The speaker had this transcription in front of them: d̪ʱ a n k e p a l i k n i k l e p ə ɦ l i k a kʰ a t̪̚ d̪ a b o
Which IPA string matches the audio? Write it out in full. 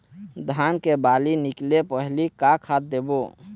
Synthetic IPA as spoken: d̪ʱ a n k e b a l i n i k l e p ə ɦ l i k a kʰ a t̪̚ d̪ e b o